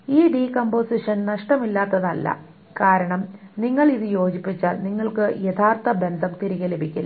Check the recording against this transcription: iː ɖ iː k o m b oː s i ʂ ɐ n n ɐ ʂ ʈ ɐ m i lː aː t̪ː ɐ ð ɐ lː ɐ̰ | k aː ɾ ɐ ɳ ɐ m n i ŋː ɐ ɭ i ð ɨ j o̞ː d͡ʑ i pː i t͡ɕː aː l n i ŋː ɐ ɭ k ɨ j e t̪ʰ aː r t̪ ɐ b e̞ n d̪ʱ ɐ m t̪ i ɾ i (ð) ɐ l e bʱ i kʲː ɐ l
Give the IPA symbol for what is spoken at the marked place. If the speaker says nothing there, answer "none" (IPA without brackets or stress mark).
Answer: ɣ